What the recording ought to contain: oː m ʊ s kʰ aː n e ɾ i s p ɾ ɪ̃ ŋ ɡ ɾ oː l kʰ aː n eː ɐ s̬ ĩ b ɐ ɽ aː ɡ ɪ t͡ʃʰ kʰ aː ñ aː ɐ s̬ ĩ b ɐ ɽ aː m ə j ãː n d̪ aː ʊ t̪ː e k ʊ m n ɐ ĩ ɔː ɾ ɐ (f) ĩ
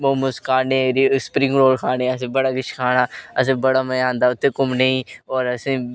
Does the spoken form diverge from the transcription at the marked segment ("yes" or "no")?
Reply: yes